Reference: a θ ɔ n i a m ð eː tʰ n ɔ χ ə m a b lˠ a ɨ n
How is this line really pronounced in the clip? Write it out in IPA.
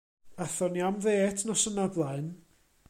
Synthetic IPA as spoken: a θ ɔ n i a m ð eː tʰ n ɔ s ə n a b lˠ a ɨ n